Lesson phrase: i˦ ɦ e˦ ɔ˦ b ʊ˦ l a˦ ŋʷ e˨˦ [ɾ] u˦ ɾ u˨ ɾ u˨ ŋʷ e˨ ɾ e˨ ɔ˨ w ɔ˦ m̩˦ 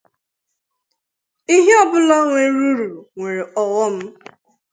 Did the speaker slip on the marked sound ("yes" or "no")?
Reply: no